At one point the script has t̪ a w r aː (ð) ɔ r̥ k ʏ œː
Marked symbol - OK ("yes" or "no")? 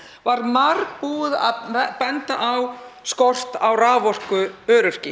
no